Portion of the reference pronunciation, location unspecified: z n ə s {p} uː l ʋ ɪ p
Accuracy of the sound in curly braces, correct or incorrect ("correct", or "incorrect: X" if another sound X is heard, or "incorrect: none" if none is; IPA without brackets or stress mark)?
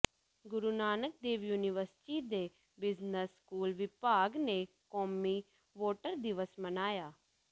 incorrect: k